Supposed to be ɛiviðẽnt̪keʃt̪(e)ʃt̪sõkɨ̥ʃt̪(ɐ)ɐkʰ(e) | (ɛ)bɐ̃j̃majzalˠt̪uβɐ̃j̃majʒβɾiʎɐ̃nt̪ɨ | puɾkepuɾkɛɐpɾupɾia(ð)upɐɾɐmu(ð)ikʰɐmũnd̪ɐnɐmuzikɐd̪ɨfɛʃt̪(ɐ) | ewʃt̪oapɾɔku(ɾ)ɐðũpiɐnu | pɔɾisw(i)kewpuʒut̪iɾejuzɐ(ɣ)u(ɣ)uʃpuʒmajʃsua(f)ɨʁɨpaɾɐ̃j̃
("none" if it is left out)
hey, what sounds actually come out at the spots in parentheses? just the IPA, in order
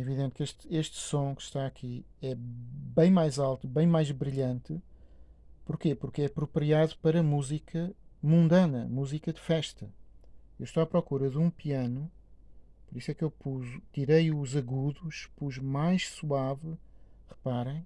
e, a, i, ɛ, ð, z, ɐ, ɾ, ɛ, ɣ, ð, v

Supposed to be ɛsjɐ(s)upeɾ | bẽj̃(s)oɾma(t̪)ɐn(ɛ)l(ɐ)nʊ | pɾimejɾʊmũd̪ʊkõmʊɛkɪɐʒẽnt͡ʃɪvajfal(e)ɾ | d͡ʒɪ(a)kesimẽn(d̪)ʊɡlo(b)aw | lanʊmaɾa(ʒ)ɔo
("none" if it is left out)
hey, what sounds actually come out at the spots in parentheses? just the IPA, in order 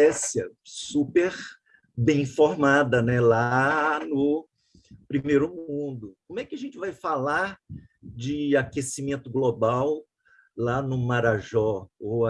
s, f, d̪, ɛ, a, a, a, t̪, b, ʒ

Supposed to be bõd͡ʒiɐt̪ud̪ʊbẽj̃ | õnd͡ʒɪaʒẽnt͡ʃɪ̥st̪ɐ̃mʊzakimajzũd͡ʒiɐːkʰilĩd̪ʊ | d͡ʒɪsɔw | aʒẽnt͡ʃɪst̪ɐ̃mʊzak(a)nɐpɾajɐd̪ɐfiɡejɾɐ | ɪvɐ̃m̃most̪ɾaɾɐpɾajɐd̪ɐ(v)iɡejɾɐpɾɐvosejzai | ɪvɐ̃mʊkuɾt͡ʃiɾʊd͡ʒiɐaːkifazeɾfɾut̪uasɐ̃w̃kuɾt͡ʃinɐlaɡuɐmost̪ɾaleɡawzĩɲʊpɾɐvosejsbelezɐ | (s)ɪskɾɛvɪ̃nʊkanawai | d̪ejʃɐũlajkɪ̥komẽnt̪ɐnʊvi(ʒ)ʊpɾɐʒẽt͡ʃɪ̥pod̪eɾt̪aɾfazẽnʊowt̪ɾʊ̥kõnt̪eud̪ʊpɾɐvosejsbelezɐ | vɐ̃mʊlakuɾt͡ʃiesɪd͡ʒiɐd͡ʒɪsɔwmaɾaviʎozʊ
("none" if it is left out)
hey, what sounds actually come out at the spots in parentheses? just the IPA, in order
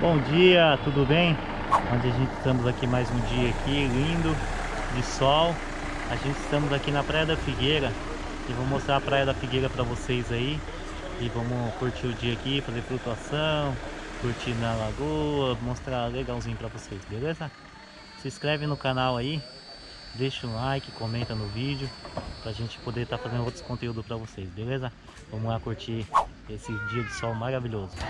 i, f, s, d͡ʒ

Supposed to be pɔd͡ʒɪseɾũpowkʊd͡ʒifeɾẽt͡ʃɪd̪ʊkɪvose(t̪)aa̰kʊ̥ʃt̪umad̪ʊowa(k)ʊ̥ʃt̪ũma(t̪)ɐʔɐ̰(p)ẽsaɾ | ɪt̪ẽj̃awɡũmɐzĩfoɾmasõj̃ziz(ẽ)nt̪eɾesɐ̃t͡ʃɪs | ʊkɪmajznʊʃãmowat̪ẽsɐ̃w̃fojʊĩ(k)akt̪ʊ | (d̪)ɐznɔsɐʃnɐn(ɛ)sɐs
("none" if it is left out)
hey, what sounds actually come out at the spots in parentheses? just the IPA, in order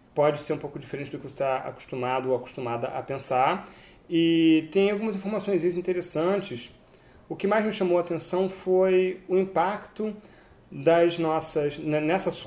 t̪, k, d̪, p, ĩ, p, d̪, ɛ

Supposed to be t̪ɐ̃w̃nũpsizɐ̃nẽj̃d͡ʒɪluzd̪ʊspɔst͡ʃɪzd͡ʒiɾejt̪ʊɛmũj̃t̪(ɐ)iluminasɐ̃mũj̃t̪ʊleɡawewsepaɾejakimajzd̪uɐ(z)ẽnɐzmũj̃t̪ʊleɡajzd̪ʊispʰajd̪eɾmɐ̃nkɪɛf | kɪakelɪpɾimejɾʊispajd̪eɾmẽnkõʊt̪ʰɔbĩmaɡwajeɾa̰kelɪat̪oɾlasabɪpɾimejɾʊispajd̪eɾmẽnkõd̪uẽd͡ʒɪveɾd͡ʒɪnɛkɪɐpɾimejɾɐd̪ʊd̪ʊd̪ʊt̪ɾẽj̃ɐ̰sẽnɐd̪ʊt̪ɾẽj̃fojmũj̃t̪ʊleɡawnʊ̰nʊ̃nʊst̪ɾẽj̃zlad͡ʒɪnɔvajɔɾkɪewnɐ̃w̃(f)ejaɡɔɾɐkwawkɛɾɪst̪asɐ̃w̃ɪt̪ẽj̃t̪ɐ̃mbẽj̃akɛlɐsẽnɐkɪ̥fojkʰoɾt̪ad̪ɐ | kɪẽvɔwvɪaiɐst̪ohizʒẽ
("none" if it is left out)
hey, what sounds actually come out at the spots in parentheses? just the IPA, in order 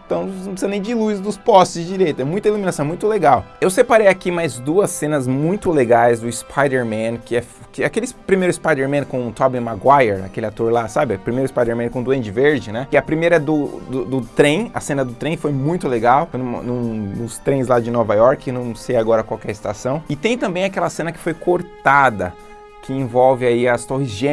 ɐ, s, s

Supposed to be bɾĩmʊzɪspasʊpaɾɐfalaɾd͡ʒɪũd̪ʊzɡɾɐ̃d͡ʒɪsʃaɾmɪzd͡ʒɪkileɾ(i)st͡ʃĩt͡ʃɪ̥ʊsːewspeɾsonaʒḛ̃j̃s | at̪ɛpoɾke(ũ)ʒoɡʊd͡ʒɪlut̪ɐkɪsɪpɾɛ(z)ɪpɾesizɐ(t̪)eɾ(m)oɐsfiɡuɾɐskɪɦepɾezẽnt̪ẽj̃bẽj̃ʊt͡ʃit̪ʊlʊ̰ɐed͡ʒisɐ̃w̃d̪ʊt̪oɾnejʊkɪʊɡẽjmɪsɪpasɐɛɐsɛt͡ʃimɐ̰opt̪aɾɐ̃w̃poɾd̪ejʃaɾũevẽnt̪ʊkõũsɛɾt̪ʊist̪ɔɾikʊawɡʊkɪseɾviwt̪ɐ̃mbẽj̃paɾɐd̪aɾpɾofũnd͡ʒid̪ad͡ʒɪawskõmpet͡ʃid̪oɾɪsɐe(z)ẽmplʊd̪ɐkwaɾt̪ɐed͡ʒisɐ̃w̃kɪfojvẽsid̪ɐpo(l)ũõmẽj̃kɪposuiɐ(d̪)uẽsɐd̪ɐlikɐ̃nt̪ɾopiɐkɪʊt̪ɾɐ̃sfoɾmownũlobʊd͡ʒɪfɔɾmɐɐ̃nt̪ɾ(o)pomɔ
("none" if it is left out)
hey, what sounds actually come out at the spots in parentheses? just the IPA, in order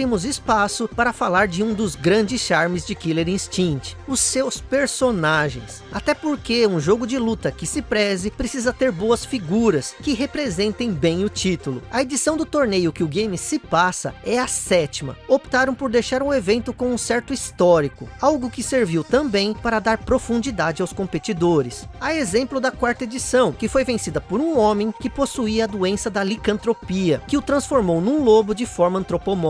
ĩ, ũ, z, t̪, b, z, ɾ, d̪, o

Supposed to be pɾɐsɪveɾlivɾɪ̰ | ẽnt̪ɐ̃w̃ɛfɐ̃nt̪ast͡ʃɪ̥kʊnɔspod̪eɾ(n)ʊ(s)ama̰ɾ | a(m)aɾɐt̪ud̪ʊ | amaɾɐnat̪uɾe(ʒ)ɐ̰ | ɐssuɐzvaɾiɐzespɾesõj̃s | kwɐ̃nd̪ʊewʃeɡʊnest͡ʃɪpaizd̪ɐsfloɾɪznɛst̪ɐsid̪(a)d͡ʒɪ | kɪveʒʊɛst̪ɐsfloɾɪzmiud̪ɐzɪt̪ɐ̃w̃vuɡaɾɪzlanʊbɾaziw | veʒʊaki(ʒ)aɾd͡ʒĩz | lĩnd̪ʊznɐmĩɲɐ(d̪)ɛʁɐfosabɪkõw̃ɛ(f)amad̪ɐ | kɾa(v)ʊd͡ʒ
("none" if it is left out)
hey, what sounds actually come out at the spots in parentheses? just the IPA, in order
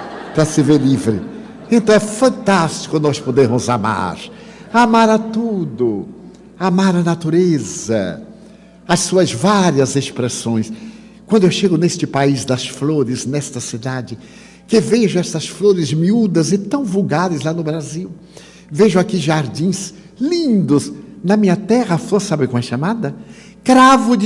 m, z, m, z, a, ʒ, t̪, ʃ, v

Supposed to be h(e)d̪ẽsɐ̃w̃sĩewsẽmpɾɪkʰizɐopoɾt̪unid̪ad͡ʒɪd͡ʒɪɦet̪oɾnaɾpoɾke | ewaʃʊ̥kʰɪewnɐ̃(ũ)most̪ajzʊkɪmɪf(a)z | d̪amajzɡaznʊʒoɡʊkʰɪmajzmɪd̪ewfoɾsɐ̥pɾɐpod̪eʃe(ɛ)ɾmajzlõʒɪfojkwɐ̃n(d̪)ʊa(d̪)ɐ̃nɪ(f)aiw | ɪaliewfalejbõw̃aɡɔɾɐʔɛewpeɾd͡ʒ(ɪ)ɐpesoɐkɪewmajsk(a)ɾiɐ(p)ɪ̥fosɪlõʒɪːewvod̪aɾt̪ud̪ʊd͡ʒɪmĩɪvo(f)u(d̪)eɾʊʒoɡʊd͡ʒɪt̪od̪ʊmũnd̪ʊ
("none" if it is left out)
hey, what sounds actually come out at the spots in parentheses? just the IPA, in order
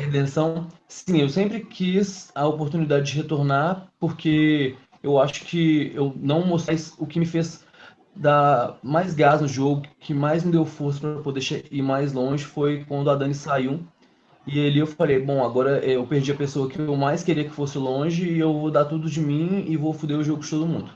e, w̃, e, i, d̪, d̪, s, i, e, k, f, d̪

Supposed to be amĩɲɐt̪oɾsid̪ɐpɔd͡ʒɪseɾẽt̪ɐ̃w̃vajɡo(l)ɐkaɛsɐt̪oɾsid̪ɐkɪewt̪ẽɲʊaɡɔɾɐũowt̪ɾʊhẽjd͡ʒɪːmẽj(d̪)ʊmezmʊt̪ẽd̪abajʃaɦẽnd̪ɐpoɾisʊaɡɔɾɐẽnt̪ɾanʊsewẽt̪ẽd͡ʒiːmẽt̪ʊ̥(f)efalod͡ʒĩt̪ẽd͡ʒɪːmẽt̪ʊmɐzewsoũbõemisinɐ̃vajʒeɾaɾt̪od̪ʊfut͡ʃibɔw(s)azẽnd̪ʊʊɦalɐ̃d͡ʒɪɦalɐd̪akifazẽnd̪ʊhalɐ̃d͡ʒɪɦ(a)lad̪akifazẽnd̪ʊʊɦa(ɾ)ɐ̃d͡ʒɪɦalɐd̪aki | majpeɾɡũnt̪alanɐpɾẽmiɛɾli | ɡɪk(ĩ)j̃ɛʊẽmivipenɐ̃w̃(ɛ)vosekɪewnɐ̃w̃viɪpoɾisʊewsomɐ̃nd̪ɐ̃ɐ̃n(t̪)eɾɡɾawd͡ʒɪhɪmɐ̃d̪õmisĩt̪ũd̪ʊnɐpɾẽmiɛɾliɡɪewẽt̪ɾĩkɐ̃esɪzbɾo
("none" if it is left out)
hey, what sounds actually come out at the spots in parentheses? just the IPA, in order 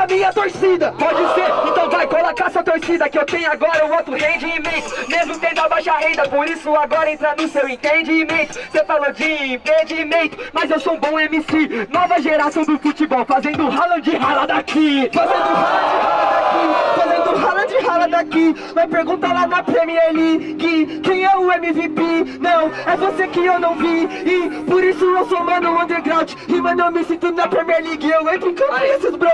l, t̪, s, f, a, l, ẽ, ɛ, d̪

